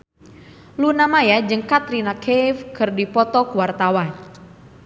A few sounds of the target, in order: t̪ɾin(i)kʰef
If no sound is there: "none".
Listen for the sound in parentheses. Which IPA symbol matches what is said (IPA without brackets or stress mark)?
a